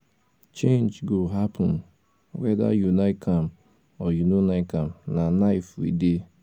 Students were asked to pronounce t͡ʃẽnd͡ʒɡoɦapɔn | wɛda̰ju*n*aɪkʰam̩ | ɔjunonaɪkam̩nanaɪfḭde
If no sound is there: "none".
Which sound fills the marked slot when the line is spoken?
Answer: n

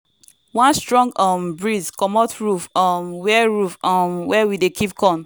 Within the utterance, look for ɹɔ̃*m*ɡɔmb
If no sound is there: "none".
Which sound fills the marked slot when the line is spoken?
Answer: ŋ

